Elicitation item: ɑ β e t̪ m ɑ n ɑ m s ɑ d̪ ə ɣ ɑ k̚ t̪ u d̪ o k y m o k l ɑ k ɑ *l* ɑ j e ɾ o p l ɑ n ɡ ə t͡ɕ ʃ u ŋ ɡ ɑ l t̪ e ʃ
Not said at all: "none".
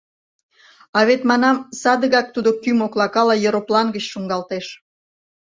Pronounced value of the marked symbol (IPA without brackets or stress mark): l